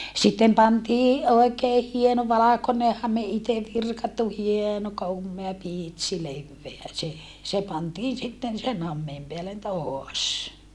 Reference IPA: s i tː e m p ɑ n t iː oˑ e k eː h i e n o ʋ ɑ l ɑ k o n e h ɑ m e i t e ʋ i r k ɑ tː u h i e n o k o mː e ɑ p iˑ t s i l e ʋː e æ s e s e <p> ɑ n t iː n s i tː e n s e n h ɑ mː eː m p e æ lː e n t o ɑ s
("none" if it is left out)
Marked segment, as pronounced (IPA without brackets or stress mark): p